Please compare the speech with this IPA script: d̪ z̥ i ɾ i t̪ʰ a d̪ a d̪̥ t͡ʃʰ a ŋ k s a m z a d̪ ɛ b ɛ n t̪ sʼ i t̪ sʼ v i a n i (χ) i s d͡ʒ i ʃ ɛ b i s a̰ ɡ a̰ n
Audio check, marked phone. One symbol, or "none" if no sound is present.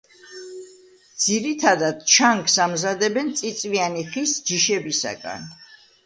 χ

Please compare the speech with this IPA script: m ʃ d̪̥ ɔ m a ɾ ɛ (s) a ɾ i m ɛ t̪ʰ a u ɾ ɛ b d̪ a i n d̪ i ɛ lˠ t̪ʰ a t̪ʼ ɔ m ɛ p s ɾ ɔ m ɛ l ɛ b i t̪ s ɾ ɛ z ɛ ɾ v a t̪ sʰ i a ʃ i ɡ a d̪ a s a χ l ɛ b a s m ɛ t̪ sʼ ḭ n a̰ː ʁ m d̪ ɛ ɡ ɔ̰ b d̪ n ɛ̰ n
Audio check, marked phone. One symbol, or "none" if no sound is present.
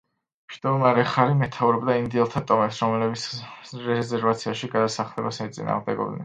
χ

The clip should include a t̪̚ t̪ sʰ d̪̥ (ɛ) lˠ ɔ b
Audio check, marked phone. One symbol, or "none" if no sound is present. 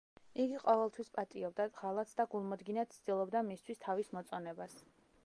i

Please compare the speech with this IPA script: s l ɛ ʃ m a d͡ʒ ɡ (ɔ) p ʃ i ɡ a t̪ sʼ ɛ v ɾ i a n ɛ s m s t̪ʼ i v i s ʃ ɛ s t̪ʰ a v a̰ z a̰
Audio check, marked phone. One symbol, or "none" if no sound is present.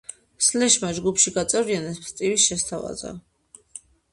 u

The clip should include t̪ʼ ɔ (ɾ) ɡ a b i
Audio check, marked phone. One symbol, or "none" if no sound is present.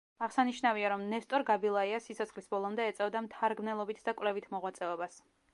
ɾ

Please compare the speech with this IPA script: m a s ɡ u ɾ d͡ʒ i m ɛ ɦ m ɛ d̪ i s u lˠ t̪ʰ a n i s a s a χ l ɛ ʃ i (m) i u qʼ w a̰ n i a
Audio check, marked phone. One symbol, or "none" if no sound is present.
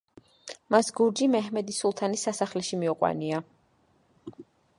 m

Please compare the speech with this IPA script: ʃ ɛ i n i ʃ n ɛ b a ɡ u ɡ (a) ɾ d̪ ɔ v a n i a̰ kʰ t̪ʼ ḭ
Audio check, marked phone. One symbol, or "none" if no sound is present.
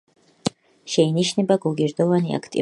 i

